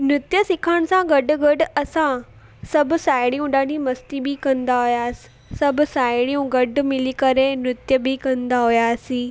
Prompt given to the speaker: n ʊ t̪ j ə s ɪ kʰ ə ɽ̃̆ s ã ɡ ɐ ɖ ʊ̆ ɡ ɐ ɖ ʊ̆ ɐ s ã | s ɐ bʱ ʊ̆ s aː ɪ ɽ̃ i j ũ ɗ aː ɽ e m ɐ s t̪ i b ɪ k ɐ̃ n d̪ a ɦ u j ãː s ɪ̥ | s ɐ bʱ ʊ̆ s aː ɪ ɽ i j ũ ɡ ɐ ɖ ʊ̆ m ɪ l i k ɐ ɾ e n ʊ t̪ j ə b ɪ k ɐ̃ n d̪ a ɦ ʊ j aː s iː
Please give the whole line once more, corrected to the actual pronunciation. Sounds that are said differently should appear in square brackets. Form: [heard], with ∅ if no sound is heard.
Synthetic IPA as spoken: n ʊ t̪ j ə s ɪ kʰ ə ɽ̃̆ s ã ɡ ɐ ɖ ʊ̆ ɡ ɐ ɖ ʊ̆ ɐ s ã | s ɐ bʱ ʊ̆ s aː ɪ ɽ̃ i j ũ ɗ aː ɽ [i] m ɐ s t̪ i b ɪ k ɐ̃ n d̪ a ɦ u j [aː] s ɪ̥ | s ɐ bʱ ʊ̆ s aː ɪ ɽ i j ũ ɡ ɐ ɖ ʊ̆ m ɪ l i k ɐ ɾ e n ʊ t̪ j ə b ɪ k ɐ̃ n d̪ a ɦ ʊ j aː s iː